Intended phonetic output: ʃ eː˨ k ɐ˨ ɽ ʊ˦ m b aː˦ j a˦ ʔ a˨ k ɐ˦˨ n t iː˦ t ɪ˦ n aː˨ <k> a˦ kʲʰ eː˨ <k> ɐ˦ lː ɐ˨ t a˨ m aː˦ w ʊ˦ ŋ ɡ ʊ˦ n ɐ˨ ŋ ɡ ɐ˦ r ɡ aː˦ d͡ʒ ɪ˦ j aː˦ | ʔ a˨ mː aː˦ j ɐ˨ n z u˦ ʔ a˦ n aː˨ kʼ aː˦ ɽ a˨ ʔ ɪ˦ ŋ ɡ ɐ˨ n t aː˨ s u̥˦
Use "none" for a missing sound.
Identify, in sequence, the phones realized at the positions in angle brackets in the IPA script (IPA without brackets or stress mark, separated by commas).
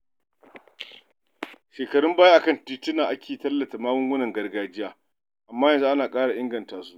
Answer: ʔ, t